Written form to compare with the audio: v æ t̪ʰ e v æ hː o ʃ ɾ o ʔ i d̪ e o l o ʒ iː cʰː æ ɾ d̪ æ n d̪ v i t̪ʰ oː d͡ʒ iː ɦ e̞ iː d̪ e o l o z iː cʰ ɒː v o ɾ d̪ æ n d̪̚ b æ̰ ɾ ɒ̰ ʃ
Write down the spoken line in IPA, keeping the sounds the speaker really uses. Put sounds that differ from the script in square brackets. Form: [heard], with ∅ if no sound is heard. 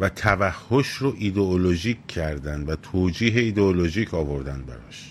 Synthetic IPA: v æ t̪ʰ [æ] v æ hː o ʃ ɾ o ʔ i d̪ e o l o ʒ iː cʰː æ ɾ d̪ æ n d̪ v [æ] t̪ʰ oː d͡ʒ iː ɦ e̞ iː d̪ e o l o [ʒ] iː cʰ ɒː v o ɾ d̪ æ n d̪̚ b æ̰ ɾ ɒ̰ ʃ